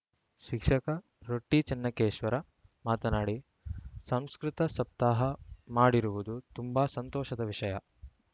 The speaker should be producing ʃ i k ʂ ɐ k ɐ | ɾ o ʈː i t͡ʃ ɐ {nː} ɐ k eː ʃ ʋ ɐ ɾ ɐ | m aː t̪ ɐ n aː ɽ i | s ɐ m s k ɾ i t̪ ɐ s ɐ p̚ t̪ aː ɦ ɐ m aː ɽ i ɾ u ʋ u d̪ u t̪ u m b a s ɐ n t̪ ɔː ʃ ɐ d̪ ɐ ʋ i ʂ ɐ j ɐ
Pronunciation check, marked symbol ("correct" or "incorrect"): correct